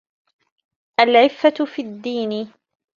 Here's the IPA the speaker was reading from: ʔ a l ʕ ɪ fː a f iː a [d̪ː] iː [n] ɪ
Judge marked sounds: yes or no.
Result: yes, yes

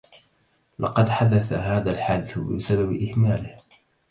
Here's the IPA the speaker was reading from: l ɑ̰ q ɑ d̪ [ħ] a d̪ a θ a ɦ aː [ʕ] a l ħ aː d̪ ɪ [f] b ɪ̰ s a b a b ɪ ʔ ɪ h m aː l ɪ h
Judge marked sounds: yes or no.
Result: yes, no, no

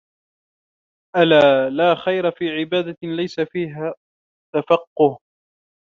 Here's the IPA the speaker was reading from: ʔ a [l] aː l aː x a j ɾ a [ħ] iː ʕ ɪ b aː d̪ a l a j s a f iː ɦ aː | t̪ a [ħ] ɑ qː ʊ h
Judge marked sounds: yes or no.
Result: yes, no, no

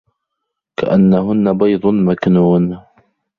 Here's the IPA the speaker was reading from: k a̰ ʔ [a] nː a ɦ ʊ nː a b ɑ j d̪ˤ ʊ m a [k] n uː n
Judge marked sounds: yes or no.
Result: yes, yes

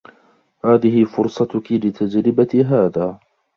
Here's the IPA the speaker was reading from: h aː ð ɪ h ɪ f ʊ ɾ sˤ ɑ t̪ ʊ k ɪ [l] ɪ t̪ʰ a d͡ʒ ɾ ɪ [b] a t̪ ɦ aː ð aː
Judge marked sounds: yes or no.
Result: yes, yes

